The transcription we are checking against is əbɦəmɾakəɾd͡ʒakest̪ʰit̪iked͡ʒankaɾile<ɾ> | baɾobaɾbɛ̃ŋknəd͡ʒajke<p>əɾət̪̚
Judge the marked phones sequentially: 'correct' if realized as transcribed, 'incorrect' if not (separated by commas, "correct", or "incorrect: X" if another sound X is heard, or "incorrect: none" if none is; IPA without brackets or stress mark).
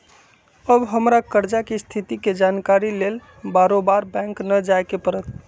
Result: incorrect: l, correct